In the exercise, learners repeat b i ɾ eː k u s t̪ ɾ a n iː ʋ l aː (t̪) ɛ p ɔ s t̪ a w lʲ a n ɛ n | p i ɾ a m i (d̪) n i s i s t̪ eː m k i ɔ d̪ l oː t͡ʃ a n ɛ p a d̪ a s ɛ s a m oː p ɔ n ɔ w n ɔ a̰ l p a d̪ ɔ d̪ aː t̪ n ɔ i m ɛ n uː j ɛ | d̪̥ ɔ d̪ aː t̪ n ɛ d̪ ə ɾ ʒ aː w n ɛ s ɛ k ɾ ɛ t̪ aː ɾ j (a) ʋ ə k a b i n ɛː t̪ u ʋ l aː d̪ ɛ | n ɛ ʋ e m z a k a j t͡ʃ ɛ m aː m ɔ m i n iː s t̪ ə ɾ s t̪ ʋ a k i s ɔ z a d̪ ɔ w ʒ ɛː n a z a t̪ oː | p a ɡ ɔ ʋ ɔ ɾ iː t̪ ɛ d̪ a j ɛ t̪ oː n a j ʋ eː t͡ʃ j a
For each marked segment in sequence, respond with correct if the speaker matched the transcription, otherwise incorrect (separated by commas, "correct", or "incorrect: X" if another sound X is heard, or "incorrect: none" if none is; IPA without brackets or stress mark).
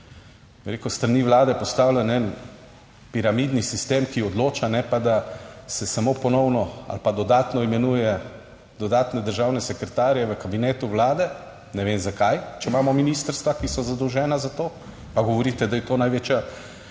incorrect: d̪, correct, incorrect: ɛ